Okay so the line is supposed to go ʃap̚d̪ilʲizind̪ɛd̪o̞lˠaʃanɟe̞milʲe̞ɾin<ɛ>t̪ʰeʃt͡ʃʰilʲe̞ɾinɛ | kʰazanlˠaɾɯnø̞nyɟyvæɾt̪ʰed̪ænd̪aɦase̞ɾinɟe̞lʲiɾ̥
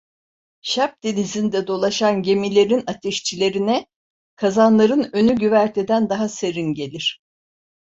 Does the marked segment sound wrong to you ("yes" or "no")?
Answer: yes